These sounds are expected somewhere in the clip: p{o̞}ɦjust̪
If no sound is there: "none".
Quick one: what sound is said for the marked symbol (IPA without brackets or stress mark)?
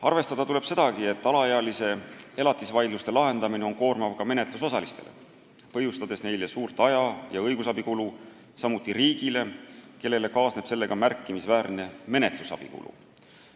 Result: ɤ̞